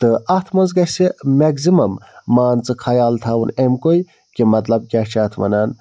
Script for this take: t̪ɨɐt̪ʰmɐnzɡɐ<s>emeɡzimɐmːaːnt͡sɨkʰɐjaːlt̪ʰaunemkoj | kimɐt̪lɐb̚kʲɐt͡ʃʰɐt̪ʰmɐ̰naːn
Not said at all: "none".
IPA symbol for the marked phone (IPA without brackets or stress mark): s